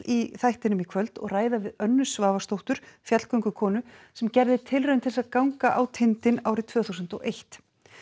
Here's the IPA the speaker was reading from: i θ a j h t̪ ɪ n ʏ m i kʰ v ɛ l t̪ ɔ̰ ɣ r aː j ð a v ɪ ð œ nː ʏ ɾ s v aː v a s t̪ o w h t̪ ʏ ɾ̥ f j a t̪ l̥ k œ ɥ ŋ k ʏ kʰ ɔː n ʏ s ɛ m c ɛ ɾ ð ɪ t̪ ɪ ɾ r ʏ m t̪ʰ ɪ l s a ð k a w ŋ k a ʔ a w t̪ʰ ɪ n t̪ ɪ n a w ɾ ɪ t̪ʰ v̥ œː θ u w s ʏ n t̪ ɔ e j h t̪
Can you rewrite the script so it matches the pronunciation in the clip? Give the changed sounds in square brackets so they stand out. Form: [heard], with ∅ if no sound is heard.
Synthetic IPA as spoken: i θ a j h t̪ ɪ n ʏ m i kʰ v [œ] l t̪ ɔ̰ ɣ r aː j ð a v ɪ ð œ nː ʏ [∅] s v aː v a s t̪ o w h t̪ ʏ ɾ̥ f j a t̪ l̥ k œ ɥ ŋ k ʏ kʰ ɔː n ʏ s ɛ m c ɛ ɾ ð ɪ [t̪ʰ] ɪ [l] r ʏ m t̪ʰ ɪ l s a ð k a w ŋ k a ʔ a w t̪ʰ ɪ n t̪ ɪ n a w ɾ ɪ t̪ʰ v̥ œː θ u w s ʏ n t̪ ɔ e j h t̪

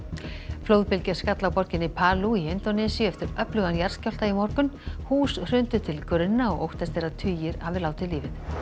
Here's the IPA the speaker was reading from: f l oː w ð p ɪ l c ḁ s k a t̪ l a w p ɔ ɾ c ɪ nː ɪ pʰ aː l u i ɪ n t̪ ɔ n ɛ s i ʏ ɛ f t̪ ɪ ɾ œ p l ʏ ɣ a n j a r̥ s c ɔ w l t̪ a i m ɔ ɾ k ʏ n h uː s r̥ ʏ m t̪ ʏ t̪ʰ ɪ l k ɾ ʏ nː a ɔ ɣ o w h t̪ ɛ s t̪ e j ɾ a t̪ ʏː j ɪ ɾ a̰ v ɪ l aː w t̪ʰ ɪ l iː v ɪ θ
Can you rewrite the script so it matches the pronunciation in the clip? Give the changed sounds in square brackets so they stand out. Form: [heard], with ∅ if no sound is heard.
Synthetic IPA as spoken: f l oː w ð p ɪ l c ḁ s k a t̪ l a w p ɔ ɾ c ɪ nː ɪ pʰ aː l u i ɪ n t̪ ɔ n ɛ s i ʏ ɛ f t̪ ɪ ɾ œ p l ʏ ɣ a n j a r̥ s c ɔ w l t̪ a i m ɔ ɾ k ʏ n h uː s r̥ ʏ [n] t̪ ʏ t̪ʰ ɪ l k ɾ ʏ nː a ɔ ɣ o w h t̪ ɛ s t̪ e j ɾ a [t̪ʰ] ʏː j ɪ ɾ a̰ v ɪ l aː w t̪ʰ ɪ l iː v ɪ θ

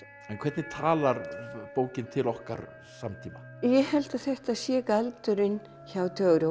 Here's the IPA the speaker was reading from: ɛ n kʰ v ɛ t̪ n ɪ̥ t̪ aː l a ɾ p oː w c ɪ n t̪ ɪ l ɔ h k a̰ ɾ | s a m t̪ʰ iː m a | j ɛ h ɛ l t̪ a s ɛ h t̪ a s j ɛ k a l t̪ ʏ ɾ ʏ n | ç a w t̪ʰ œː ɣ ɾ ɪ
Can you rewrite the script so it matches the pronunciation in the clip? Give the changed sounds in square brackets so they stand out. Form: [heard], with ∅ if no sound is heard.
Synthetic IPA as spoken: ɛ n kʰ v ɛ t̪ n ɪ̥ [t̪ʰ] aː l a ɾ p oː w c ɪ n [t̪ʰ] ɪ l ɔ h k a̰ ɾ | s a m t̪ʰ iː m a | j ɛ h ɛ l t̪ a [θ] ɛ h t̪ a s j ɛ k a l t̪ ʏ ɾ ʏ n | ç a w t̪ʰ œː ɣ ɾ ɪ

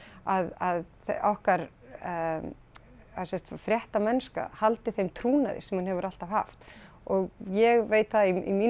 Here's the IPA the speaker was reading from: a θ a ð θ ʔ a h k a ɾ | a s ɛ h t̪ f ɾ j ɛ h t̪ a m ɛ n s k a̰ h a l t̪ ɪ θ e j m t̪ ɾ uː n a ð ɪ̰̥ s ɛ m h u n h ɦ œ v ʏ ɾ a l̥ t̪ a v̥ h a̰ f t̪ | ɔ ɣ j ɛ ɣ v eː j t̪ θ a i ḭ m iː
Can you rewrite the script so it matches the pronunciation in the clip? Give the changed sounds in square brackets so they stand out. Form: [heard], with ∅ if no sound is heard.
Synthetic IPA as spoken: a [ð] a ð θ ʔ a h k a ɾ | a s ɛ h t̪ f ɾ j ɛ h t̪ a m ɛ n s k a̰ h a l t̪ ɪ θ e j m [t̪ʰ] ɾ uː n a ð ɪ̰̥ s ɛ m h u n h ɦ [ɛ] v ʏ ɾ a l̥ t̪ a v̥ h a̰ f t̪ | ɔ ɣ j ɛ ɣ v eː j t̪ θ a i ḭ m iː

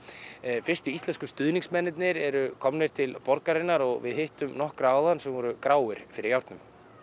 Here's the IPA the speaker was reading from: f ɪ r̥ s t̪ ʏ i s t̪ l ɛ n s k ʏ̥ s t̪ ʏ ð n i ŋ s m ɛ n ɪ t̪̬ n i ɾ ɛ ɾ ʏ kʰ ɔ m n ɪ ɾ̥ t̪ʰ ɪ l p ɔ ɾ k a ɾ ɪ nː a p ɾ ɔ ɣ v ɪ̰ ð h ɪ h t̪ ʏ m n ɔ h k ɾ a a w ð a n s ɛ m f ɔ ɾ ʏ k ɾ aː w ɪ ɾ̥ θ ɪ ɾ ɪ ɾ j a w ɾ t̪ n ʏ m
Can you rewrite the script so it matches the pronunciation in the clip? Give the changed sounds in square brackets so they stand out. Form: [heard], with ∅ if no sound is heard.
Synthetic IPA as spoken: f ɪ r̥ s t̪ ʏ i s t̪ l ɛ n s k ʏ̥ s t̪ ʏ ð n i ŋ s m ɛ n ɪ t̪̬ n [ɪ] ɾ ɛ ɾ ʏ kʰ ɔ m n ɪ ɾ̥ t̪ʰ ɪ l p ɔ ɾ k a ɾ ɪ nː a [∅] ɾ ɔ ɣ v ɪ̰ ð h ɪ h t̪ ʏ m n ɔ h k ɾ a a w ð a n s ɛ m [v] ɔ ɾ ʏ k ɾ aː w ɪ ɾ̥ [f] ɪ ɾ ɪ ɾ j a w ɾ t̪ n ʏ m

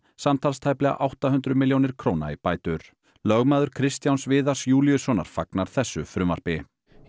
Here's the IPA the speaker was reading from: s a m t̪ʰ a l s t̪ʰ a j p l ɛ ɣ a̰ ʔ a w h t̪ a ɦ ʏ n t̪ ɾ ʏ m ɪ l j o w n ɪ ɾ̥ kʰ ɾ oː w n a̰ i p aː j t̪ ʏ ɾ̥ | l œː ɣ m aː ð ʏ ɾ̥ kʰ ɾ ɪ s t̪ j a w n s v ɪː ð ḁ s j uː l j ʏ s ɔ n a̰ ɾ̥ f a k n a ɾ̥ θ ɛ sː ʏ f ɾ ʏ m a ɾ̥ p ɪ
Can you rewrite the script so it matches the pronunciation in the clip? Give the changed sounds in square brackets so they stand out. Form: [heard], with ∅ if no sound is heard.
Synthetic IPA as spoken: s a m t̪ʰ a l s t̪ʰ a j p l ɛ ɣ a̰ ʔ a w h t̪ a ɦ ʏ n t̪ ɾ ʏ m ɪ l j o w n ɪ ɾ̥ kʰ ɾ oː w n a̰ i p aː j t̪ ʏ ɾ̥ | l [œ] ɣ m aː ð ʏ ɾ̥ kʰ ɾ ɪ s t̪ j a w n s v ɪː ð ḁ s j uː l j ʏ s ɔ n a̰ ɾ̥ f a k n a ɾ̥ θ ɛ sː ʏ f ɾ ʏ m a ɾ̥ p ɪ

